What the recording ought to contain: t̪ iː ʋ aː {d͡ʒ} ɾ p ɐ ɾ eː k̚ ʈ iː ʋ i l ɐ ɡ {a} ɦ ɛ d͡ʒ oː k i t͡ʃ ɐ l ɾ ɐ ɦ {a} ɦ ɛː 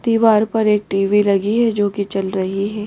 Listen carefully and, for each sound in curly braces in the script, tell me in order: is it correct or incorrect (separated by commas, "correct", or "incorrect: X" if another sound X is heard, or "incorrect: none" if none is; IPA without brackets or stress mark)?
incorrect: none, incorrect: i, incorrect: i